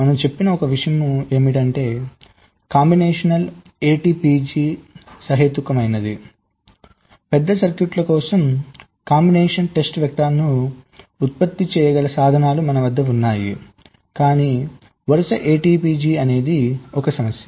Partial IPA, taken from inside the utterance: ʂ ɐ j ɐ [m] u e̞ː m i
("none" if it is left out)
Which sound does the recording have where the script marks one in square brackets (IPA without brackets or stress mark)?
m